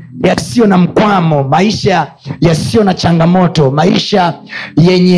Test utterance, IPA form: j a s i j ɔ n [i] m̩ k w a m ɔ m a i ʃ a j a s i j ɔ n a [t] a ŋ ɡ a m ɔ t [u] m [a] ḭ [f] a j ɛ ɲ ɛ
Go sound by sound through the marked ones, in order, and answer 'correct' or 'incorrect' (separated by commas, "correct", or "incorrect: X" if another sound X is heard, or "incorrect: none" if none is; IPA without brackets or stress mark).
incorrect: a, incorrect: t͡ʃ, incorrect: ɔ, correct, incorrect: ʃ